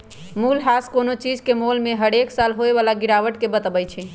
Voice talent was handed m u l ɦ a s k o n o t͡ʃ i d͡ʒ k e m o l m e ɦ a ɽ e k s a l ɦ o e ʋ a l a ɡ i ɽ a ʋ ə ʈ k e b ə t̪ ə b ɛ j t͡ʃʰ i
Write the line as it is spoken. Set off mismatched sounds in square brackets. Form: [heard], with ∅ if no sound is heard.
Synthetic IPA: m u l ɦ a s k o n o t͡ʃ i d͡ʒ k e m o l m e ɦ [ə] ɽ e k s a l ɦ o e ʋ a l a ɡ i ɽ a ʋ ə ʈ k e b ə t̪ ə b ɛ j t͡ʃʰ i